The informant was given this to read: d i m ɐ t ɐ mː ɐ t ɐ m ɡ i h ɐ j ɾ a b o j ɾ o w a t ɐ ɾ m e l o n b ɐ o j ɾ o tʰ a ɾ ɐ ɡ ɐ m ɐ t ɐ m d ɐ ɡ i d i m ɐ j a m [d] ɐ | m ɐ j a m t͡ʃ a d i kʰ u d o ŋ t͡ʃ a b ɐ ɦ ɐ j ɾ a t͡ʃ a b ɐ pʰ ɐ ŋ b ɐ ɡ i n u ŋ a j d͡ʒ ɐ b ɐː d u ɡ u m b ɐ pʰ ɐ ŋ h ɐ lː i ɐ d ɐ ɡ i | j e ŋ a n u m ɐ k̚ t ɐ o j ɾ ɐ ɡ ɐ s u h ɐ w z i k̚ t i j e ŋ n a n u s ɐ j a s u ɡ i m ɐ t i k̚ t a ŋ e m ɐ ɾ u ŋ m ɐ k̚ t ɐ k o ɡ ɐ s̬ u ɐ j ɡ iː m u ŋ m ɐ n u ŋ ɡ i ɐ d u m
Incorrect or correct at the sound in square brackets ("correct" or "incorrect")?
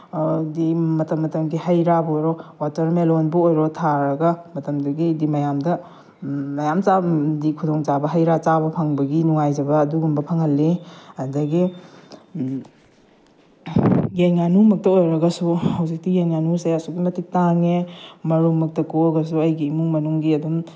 correct